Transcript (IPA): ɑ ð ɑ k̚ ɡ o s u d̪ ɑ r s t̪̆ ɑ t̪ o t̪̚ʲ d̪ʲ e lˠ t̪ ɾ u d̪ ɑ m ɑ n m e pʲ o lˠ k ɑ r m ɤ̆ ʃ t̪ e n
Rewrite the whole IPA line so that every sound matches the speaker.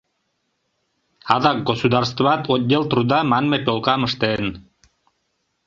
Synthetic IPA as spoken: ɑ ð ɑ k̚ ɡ o s u d̪ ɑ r s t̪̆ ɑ t̪ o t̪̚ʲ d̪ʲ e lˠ t̪ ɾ u d̪ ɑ m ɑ n m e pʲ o lˠ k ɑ m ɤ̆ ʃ t̪ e n